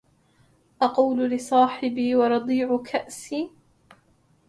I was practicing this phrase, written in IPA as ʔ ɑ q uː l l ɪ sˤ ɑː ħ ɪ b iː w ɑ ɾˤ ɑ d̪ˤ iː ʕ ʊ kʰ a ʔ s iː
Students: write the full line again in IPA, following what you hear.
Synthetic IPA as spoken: ʔ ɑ q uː l l ɪ sˤ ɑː ħ ɪ b iː w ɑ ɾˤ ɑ d̪ˤ iː ʕ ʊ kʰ a ʔ s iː